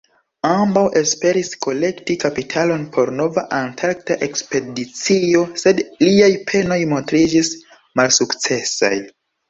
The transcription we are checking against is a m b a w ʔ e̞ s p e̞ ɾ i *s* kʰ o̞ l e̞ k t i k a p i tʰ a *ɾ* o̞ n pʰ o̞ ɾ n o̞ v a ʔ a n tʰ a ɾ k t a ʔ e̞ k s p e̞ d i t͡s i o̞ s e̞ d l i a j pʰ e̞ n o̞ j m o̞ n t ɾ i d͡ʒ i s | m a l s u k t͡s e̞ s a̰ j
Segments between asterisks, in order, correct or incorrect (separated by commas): correct, incorrect